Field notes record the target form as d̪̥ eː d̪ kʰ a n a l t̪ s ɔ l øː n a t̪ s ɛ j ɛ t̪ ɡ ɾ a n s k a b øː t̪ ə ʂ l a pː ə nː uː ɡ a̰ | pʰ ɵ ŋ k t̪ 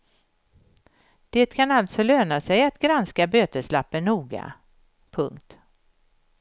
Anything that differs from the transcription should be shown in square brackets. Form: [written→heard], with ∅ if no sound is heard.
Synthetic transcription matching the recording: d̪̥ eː [d̪→t̪] kʰ a n a l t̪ s ɔ l øː n a [t̪→∅] s ɛ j [ɛ→a] t̪ ɡ ɾ a n s k a b øː t̪ ə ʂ l a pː ə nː uː ɡ a̰ | pʰ ɵ ŋ k t̪